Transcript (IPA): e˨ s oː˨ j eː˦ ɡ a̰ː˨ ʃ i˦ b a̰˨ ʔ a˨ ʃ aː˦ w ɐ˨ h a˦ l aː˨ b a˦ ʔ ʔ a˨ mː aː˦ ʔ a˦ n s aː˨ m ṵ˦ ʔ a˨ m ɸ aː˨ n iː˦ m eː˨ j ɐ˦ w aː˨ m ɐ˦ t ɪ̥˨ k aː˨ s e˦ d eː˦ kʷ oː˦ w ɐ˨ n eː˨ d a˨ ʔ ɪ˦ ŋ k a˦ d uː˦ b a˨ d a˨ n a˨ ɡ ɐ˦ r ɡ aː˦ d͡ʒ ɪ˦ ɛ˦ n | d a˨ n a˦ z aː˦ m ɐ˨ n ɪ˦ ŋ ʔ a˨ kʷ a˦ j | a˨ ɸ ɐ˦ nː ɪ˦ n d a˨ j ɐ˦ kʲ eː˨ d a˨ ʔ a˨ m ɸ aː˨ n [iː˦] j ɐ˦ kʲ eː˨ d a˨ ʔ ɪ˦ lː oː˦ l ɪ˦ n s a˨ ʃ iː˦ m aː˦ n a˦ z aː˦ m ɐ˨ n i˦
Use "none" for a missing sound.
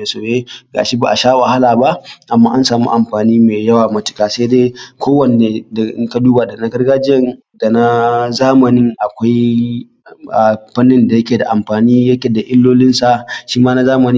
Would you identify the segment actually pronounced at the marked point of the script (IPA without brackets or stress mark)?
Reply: iː˦